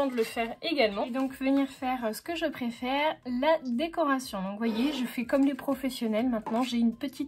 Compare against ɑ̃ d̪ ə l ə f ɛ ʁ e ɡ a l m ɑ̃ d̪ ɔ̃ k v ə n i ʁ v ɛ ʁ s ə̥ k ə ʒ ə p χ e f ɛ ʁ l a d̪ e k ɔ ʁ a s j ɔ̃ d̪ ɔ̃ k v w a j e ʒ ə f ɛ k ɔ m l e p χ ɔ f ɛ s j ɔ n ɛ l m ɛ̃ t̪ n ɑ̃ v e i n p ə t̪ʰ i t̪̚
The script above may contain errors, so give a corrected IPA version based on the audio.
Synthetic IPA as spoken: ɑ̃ d̪ ə l ə f ɛ ʁ e ɡ a l m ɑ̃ d̪ ɔ̃ k v ə n i ʁ f ɛ ʁ s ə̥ k ə ʒ ə p χ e f ɛ ʁ l a d̪ e k ɔ ʁ a s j ɔ̃ d̪ ɔ̃ k v w a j e ʒ ə f ɛ k ɔ m l e p χ ɔ f ɛ s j ɔ n ɛ l m ɛ̃ t̪ n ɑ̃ ʒ e y n p ə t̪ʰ i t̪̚